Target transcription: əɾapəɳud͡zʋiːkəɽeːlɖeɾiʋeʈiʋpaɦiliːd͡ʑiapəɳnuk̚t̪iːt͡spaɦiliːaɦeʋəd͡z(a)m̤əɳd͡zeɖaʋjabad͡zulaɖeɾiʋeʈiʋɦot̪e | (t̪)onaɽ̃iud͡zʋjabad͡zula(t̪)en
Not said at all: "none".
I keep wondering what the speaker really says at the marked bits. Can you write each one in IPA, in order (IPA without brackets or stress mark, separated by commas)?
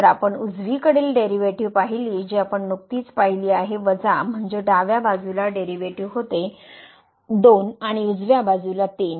a, d̪, t̪